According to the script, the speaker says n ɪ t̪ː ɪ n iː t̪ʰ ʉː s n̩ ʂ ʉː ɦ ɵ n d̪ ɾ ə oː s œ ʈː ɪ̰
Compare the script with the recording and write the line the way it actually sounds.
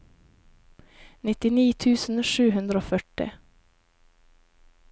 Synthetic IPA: n ɪ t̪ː ɪ n iː t̪ʰ ʉː s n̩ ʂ ʉː ɦ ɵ n d̪ ɾ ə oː f œ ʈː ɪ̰